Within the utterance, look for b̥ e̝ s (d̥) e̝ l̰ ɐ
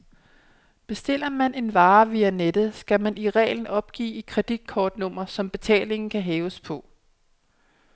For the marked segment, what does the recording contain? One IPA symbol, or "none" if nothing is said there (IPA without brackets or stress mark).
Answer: d̥